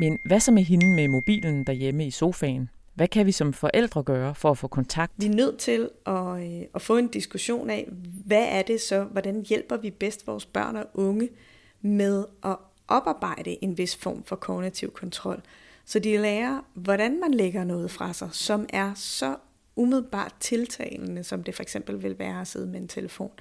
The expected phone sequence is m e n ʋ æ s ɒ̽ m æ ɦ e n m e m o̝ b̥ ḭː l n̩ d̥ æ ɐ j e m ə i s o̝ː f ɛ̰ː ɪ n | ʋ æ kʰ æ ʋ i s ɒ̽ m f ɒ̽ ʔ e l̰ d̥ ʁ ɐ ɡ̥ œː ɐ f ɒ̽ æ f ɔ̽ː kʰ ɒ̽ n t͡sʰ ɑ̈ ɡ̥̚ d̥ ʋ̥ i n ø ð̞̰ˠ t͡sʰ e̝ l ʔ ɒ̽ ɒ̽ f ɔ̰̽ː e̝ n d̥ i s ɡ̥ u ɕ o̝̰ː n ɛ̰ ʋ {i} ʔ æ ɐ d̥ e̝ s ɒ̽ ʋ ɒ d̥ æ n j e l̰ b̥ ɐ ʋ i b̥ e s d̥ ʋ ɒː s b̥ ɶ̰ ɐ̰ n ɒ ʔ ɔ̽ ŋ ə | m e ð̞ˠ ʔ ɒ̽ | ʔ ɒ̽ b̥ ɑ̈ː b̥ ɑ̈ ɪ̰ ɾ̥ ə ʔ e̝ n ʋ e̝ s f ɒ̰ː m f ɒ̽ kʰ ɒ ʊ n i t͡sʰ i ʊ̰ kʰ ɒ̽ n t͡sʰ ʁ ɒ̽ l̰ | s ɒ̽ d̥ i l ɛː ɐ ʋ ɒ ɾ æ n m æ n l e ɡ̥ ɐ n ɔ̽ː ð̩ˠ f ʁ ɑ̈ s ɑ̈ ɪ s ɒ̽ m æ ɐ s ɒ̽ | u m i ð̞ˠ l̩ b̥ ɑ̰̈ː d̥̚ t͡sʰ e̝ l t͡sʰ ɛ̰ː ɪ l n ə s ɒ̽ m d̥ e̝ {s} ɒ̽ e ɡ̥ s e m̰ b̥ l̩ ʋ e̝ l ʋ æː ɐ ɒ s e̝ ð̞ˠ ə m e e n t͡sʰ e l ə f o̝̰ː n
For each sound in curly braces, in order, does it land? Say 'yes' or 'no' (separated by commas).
no, no